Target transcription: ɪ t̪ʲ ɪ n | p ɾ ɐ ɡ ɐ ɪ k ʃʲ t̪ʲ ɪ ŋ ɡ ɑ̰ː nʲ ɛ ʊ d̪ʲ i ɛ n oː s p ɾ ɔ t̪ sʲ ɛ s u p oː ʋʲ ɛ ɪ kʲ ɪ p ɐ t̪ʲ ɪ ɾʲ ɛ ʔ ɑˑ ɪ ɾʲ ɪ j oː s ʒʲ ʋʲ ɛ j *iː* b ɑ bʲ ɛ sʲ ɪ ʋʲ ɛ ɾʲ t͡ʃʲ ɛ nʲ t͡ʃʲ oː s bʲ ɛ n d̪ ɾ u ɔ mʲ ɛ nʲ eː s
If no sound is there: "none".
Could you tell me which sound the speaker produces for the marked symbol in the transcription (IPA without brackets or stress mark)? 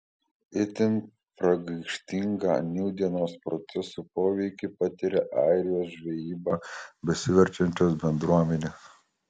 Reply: iː